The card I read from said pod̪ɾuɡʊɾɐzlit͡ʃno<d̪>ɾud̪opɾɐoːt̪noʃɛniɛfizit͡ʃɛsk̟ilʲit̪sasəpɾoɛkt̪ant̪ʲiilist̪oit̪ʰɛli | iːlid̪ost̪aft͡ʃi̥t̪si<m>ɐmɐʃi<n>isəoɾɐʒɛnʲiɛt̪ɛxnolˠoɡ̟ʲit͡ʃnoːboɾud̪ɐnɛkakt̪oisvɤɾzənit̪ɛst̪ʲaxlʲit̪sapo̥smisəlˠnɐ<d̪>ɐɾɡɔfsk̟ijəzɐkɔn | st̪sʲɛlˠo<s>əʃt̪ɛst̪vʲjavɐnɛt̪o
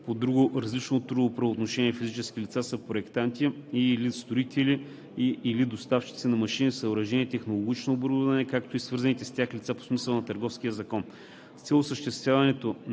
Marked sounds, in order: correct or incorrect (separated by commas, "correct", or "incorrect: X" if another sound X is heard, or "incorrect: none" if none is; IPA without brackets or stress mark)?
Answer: incorrect: t̪, incorrect: n, correct, incorrect: t̪, correct